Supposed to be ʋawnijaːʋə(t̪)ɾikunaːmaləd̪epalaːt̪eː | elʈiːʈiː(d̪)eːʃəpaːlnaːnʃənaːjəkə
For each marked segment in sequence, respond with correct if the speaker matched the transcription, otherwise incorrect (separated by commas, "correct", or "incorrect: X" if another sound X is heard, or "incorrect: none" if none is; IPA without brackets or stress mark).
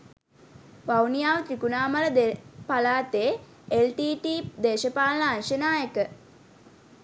correct, correct